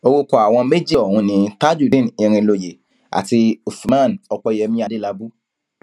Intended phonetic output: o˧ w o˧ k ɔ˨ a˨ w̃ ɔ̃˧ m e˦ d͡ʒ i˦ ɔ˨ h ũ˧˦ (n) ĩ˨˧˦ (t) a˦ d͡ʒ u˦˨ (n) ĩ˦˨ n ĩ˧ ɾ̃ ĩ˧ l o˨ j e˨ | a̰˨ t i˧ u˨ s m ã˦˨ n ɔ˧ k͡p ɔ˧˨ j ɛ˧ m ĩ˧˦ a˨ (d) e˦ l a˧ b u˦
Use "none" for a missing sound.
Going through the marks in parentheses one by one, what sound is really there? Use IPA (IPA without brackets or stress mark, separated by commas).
n, t, d, d